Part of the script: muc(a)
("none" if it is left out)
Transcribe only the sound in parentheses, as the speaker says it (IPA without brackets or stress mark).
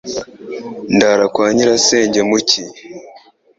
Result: i